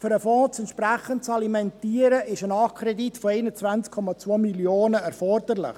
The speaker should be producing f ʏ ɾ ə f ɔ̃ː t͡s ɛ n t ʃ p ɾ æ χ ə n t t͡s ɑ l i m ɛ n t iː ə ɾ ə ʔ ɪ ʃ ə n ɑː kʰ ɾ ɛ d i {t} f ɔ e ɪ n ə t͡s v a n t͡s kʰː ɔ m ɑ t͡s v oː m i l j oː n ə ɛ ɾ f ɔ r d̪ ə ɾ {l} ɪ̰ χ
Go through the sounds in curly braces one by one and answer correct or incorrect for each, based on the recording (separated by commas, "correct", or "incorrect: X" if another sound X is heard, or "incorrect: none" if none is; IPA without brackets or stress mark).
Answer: correct, correct